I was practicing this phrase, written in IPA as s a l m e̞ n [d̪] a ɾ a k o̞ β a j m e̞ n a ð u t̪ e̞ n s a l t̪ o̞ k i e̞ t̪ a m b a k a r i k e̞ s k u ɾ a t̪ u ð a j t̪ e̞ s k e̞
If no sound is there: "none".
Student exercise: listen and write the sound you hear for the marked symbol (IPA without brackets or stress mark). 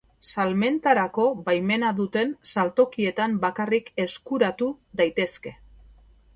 t̪